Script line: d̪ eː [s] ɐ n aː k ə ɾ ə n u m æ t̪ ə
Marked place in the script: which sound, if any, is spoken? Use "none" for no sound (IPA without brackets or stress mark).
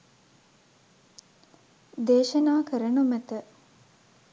ʃ